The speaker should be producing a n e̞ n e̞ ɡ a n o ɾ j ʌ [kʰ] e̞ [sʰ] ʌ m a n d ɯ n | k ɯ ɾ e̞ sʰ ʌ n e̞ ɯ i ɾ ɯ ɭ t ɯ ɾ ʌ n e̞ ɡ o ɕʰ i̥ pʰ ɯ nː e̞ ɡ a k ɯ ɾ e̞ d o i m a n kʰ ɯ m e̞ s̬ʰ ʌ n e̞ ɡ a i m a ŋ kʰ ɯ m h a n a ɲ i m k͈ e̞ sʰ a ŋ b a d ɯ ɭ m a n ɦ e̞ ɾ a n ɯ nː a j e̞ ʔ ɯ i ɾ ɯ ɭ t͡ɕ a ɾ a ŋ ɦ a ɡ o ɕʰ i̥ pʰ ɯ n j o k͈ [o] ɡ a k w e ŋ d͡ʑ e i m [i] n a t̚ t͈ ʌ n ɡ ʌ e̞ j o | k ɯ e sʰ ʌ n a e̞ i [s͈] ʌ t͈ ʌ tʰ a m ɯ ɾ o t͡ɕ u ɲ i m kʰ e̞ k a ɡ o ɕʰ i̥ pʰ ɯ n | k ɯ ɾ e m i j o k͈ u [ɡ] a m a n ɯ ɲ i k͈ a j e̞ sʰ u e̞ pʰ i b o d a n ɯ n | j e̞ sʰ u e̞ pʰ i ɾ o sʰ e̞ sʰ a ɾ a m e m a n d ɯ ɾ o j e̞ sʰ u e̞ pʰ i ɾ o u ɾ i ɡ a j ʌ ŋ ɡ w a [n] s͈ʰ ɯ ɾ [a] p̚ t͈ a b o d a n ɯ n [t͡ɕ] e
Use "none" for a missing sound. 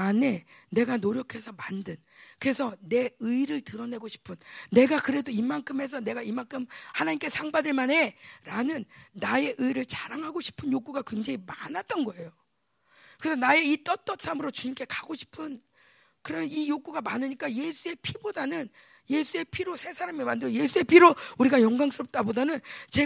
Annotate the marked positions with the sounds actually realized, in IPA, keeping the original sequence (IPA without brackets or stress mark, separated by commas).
kʰ, sʰ, u, a, t͈, ɡ, ŋ, ʌ, t͡ɕ